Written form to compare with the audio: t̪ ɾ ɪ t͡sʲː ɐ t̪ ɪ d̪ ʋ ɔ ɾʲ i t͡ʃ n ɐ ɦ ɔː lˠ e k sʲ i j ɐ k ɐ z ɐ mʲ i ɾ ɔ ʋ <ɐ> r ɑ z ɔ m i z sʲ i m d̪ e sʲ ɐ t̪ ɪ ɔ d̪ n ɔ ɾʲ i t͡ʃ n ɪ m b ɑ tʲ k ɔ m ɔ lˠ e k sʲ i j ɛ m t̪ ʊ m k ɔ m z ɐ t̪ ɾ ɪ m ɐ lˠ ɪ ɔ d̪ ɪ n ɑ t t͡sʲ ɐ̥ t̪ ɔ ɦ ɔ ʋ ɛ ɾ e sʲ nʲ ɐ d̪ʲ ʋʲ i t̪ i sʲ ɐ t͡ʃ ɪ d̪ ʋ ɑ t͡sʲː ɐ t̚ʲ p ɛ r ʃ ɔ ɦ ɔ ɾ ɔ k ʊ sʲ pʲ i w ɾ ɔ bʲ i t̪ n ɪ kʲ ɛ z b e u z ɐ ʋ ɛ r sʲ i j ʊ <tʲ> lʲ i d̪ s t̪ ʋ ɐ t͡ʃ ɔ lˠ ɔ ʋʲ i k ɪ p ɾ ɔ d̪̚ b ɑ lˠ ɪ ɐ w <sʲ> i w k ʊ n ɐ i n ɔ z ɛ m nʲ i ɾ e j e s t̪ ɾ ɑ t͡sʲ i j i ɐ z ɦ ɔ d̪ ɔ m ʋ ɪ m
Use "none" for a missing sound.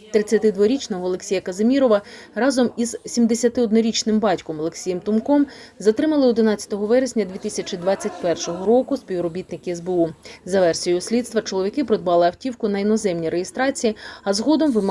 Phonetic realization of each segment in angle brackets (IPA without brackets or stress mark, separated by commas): ɐ, sʲ, tʲ